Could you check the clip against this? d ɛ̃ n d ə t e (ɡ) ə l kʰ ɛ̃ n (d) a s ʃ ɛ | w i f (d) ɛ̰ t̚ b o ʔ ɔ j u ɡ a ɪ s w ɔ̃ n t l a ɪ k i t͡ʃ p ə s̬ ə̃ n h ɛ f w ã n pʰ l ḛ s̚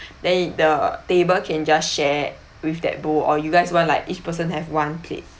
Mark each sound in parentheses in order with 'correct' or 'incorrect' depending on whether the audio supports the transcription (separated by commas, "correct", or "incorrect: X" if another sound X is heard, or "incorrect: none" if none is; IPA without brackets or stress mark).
incorrect: b, incorrect: d͡ʒ, correct